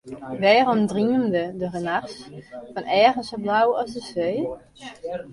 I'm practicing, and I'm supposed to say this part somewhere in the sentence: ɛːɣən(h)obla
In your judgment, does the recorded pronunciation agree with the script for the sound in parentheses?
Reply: no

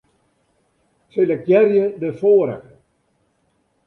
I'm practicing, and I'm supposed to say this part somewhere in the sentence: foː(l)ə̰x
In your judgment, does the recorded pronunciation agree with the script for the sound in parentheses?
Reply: no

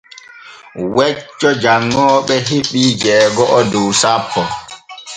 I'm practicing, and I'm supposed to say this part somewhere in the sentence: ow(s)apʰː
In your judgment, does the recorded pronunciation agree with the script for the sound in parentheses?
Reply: yes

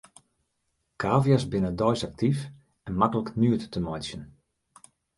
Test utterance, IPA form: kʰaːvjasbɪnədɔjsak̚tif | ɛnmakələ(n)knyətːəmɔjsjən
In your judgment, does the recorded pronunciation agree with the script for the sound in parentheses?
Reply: no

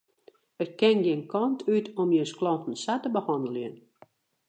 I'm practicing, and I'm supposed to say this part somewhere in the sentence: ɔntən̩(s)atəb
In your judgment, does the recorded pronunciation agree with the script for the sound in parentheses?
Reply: yes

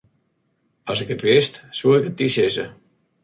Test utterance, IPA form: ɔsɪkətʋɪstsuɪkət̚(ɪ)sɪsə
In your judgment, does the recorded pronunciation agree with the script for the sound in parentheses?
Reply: no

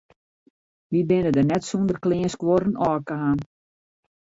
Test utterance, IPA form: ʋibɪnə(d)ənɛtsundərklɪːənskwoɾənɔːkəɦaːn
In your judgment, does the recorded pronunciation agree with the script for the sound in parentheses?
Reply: yes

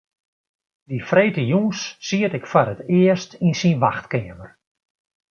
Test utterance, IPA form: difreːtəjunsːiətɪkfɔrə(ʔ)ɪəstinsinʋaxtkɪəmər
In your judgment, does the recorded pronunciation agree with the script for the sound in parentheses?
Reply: no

